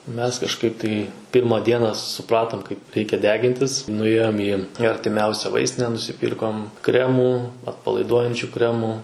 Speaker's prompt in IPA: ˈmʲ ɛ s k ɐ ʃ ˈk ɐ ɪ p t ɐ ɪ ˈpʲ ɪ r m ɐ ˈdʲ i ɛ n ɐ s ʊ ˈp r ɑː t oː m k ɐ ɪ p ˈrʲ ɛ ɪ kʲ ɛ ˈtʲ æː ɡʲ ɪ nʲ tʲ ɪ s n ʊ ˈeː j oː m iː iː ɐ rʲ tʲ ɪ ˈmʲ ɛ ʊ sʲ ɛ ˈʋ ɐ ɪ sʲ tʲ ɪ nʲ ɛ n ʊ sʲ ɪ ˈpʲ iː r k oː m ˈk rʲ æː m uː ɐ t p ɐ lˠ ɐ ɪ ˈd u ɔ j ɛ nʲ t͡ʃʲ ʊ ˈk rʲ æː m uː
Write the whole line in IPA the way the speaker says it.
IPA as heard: ˈmʲ ɛ s k ɐ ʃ ˈk ɐ ɪ p t ɐ ɪ ˈpʲ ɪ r m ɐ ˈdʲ i ɛ n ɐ s ʊ ˈp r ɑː t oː m k ɐ ɪ p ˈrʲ ɛ ɪ kʲ ɛ ˈdʲ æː ɡʲ ɪ nʲ tʲ ɪ s n ʊ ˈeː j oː m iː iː ɐ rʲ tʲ ɪ ˈmʲ ɛ ʊ sʲ ɛ ˈʋ ɐ ɪ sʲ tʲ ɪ nʲ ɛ n ʊ sʲ ɪ ˈpʲ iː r k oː m ˈk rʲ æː m uː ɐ t p ɐ lˠ ɐ ɪ ˈd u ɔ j ɛ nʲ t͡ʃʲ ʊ ˈk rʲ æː m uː